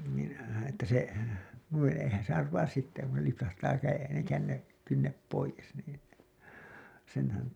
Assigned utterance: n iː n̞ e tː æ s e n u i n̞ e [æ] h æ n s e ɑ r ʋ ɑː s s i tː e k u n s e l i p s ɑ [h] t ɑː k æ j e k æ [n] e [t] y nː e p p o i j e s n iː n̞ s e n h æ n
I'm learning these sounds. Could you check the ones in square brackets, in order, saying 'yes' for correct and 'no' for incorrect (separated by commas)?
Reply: no, yes, no, no